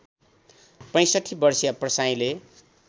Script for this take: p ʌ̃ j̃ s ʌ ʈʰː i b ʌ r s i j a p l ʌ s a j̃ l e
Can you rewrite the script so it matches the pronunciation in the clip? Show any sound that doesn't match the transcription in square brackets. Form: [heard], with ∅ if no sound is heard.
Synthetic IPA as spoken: p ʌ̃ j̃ s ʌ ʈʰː i b ʌ r s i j a p [r] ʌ s a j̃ l e